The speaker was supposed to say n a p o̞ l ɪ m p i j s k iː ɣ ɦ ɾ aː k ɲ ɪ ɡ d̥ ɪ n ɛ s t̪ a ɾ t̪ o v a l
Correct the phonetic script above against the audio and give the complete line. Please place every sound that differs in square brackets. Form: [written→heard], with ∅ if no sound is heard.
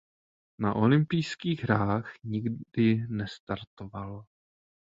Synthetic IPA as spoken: n a [p→ʔ] o̞ l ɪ m p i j s k iː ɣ ɦ ɾ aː [k→x] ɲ ɪ ɡ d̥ ɪ n ɛ s t̪ a ɾ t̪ o v a l